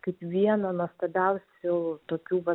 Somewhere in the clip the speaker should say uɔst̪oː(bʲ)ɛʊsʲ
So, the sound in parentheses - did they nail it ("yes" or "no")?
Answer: yes